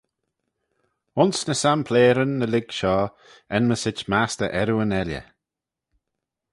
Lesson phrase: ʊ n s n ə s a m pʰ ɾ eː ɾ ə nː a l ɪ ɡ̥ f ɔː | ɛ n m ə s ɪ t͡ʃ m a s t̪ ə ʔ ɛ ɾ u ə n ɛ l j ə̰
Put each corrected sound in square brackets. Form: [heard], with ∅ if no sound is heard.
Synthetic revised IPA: ʊ n s n ə s a m pʰ [l] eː ɾ ə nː [ə] l ɪ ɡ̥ [ʃ] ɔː | ɛ n m ə s ɪ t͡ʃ m a s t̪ ə ʔ ɛ ɾ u ə n ɛ l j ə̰